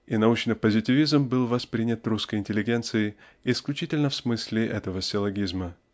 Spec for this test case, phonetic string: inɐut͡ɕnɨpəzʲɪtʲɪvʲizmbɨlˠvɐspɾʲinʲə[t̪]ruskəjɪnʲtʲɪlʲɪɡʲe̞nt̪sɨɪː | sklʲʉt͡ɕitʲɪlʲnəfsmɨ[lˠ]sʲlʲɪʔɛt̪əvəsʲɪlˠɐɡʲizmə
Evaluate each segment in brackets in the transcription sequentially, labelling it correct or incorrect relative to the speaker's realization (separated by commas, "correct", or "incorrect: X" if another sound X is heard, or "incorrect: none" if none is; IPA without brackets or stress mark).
correct, incorrect: none